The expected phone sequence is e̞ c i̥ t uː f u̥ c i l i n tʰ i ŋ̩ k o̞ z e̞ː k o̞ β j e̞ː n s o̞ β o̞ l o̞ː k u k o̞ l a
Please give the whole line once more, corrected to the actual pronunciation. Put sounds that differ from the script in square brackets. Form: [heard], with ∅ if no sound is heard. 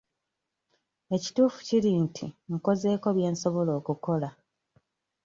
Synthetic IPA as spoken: e̞ c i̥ t uː f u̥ c i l i n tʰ i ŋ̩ k o̞ z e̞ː k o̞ β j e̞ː n s o̞ β o̞ l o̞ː k u k o̞ l a